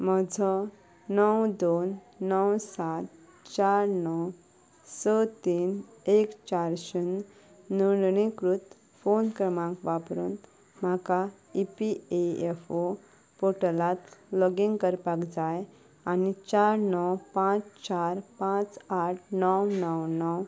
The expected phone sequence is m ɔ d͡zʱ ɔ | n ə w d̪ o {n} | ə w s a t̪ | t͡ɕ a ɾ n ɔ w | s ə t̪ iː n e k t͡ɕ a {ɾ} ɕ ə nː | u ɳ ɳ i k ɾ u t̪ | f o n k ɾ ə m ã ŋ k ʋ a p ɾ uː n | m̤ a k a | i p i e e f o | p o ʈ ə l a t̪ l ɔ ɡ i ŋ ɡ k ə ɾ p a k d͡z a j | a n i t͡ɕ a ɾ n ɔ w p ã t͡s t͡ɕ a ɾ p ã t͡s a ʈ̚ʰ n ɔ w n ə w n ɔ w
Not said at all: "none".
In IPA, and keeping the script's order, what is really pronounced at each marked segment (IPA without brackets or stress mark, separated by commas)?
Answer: nː, ɾ